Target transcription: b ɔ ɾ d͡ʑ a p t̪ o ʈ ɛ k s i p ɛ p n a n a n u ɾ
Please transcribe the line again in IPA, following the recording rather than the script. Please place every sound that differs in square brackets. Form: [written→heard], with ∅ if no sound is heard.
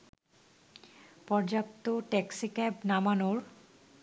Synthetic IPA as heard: [b→p] ɔ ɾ d͡ʑ a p t̪ o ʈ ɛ k s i [p→k] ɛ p n a [n→m] a n [u→o] ɾ